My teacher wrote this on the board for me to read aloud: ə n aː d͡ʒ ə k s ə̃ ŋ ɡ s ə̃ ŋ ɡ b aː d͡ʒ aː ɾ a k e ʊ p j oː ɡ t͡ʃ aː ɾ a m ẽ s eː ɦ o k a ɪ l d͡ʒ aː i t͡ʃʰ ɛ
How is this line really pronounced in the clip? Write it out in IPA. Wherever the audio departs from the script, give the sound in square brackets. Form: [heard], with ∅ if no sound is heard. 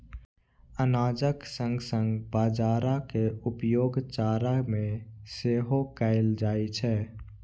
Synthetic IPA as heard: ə n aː d͡ʒ ə k s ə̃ ŋ ɡ s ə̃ ŋ ɡ b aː d͡ʒ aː ɾ a k e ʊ p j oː ɡ t͡ʃ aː ɾ a m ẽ s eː ɦ o k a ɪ l d͡ʒ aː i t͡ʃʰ ɛ